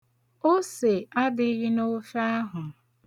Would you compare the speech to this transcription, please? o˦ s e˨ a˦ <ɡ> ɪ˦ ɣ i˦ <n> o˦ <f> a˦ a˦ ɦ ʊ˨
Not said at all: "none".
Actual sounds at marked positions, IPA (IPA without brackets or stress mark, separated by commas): d, n, f